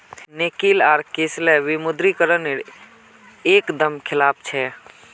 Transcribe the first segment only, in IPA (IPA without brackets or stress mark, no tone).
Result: n